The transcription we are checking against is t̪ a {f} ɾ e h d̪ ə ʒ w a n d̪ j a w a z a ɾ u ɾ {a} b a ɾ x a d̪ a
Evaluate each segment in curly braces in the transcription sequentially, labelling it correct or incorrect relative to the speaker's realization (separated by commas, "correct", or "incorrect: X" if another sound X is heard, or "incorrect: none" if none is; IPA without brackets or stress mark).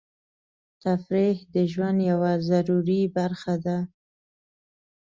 correct, incorrect: i